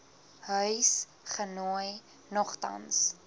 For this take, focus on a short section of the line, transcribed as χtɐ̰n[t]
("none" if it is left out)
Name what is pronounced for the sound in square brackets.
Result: s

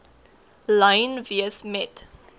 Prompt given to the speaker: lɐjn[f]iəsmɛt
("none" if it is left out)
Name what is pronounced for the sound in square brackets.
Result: v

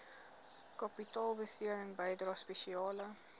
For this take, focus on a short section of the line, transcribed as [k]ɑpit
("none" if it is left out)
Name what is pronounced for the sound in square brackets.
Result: k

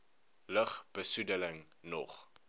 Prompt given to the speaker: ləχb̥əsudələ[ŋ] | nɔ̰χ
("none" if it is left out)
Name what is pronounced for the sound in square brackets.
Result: ŋ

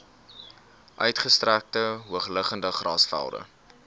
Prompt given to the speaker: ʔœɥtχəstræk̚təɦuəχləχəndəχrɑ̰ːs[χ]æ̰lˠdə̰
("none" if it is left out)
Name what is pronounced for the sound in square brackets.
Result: f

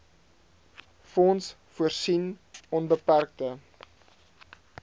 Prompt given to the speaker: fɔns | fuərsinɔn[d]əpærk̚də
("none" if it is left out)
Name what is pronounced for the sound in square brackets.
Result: b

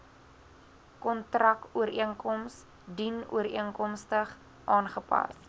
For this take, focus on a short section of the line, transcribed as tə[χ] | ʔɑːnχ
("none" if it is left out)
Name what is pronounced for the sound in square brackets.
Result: χ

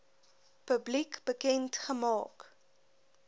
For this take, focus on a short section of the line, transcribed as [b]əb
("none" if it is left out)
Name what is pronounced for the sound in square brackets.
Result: p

